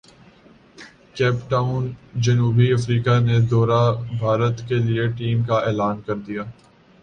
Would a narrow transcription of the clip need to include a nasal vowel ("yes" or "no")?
no